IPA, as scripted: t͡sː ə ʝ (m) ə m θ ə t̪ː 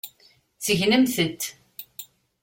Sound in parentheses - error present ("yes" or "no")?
yes